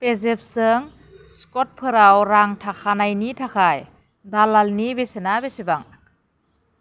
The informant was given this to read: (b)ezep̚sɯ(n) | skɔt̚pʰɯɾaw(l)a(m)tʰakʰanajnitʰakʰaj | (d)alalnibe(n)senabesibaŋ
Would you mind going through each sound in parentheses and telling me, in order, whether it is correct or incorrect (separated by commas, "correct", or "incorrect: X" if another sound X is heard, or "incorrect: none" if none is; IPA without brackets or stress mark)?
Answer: incorrect: p, incorrect: ŋ, incorrect: ɾ, incorrect: ŋ, correct, incorrect: none